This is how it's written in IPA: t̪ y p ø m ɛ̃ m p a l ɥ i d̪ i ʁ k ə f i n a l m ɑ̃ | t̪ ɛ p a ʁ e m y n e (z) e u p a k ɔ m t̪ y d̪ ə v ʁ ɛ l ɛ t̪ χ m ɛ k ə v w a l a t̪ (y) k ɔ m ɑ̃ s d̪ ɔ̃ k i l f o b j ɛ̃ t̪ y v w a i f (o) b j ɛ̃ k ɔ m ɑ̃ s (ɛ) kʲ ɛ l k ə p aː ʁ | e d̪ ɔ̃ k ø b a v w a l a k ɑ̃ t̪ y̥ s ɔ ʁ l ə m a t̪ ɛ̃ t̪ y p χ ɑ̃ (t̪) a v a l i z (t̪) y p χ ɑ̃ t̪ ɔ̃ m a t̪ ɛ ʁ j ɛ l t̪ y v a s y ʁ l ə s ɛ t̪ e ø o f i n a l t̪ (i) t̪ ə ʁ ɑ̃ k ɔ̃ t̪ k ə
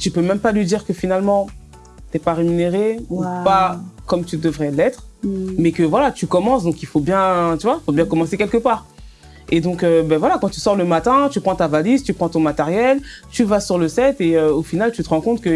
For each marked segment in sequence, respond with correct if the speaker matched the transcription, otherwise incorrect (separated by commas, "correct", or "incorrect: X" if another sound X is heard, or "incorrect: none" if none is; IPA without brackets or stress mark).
incorrect: ʁ, correct, correct, incorrect: e, correct, correct, incorrect: y